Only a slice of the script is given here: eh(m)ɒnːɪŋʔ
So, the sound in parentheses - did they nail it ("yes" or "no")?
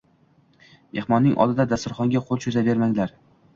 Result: yes